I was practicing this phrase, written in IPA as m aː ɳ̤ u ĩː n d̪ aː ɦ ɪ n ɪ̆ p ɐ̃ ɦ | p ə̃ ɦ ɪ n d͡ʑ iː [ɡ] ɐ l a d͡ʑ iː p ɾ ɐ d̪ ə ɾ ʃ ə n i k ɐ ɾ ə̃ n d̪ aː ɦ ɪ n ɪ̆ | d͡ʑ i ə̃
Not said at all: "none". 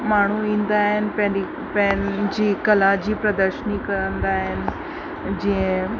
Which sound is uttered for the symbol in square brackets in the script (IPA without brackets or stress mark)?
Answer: k